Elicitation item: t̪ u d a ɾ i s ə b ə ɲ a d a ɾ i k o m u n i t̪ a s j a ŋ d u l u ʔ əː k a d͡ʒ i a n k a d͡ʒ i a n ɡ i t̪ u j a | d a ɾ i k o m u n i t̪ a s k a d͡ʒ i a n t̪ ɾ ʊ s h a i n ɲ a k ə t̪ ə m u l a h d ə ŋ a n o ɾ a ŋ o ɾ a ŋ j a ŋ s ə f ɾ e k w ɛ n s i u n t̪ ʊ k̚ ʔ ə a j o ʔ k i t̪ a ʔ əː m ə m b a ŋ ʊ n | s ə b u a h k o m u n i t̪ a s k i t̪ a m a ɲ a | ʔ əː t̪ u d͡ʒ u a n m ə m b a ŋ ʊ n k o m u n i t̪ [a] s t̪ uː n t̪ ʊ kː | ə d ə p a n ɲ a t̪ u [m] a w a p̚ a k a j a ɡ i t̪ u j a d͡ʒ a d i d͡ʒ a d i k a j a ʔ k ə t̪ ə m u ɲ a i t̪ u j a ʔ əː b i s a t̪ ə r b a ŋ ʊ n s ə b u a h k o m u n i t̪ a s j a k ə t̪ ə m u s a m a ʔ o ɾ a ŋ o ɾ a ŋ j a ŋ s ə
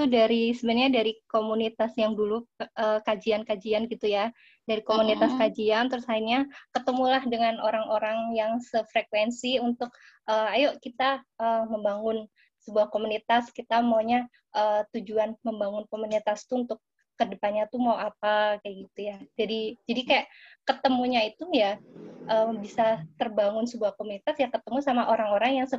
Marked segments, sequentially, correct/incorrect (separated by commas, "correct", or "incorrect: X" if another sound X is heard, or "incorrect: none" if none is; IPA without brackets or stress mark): correct, correct